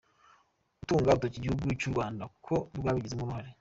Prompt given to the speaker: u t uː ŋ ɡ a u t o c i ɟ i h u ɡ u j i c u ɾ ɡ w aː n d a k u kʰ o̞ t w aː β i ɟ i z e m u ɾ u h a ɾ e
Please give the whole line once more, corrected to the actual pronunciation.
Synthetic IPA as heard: u t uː ŋ ɡ a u t o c i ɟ i h u ɡ u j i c u ɾ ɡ w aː n d a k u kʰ o̞ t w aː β i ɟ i z e m u ɾ u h a ɾ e